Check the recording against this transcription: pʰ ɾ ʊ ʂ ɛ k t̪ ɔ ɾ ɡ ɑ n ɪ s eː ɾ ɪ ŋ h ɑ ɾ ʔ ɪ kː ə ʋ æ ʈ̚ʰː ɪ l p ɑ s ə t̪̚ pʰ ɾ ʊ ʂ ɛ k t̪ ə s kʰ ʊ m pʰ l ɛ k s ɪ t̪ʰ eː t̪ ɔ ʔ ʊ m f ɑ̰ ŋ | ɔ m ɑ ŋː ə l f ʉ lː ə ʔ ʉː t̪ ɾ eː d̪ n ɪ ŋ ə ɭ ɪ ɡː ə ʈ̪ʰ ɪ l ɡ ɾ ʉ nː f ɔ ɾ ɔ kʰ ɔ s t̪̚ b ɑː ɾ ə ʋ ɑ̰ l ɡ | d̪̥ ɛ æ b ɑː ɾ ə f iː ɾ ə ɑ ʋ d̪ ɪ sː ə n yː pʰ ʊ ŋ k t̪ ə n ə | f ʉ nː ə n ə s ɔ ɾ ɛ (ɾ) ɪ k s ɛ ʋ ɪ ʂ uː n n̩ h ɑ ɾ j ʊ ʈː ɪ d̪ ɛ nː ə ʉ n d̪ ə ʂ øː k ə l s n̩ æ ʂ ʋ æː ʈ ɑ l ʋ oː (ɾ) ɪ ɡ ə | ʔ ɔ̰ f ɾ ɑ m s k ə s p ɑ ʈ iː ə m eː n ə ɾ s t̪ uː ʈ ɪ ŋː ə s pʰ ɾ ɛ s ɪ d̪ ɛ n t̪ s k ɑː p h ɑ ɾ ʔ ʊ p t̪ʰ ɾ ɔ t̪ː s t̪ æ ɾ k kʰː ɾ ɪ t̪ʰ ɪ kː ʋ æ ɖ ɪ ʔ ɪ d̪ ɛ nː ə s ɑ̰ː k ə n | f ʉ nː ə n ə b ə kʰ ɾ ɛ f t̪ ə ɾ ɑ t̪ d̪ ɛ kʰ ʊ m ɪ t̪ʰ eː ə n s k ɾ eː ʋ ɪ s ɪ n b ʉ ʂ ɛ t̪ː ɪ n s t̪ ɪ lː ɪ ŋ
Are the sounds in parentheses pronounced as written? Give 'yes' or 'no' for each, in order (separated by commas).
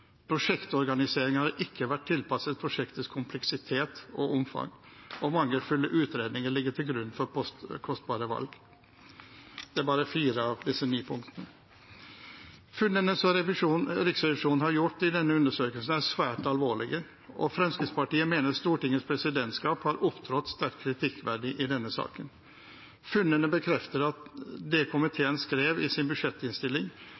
yes, no